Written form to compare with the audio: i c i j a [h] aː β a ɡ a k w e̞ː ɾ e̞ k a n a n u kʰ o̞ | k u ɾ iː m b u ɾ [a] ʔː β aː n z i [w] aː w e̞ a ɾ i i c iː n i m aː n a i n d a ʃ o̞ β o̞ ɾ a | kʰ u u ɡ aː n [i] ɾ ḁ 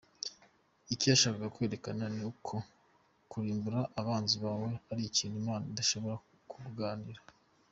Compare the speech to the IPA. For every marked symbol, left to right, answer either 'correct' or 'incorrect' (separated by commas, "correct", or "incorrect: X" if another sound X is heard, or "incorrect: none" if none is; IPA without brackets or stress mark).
incorrect: ʃ, correct, incorrect: β, correct